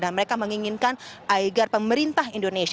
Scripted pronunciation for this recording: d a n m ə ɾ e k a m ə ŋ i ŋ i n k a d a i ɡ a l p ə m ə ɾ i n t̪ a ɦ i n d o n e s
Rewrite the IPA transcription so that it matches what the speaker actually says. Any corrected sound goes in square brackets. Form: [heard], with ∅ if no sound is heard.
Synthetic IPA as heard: d a n m ə ɾ e k a m ə ŋ i ŋ i n k a [n] a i ɡ a [r] p ə m ə ɾ i n t̪ a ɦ i n d o n e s